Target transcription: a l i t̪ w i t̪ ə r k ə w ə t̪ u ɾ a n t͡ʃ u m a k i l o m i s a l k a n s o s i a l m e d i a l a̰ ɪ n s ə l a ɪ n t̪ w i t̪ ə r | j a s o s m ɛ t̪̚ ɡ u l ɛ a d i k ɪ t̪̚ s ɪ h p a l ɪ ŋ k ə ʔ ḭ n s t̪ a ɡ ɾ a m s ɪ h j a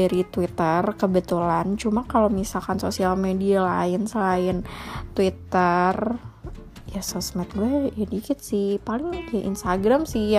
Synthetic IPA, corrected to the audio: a ɾ i t̪ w i t̪ ə r k ə b ə t̪ u l a n t͡ʃ u m a k a l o m i s a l k a n s o s i a l m e d i a l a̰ ɪ n s ə l a ɪ n t̪ w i t̪ ə r | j a s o s m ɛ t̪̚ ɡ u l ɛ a d i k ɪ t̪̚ s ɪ h p a l ɪ ŋ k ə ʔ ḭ n s t̪ a ɡ ɾ a m s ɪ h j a